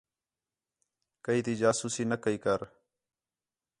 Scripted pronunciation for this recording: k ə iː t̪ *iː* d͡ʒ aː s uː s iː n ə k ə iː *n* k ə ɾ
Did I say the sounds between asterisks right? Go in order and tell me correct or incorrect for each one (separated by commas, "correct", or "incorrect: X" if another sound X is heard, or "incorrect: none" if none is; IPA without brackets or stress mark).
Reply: correct, incorrect: none